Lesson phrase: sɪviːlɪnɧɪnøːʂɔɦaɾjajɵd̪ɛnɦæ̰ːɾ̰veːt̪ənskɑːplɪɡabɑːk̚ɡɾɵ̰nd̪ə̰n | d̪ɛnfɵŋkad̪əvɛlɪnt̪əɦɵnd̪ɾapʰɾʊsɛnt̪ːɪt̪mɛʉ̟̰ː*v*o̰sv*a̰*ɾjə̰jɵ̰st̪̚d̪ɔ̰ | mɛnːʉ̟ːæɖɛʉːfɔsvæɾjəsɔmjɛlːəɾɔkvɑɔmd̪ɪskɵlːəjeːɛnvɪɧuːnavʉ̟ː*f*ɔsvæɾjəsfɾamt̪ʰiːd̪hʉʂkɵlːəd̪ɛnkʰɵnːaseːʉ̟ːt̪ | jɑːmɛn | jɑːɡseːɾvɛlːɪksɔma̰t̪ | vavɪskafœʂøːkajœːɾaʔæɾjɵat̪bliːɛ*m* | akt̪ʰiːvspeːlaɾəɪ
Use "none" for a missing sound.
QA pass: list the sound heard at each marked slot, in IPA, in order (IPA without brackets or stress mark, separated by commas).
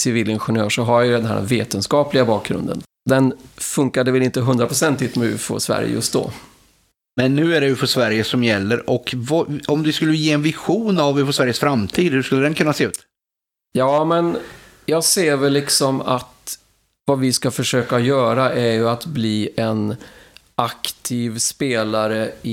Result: f, æ̰, f, n